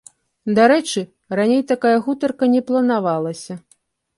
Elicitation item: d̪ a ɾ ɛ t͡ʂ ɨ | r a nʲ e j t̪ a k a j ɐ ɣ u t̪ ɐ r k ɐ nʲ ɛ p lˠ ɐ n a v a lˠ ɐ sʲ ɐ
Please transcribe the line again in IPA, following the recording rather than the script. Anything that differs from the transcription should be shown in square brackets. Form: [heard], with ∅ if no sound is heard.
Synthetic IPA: d̪ a ɾ ɛ t͡ʂ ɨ | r a nʲ e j t̪ a k a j ɐ ɣ u t̪ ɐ r k ɐ nʲ ɛ p lˠ ɐ n a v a lˠ ɐ sʲ ɐ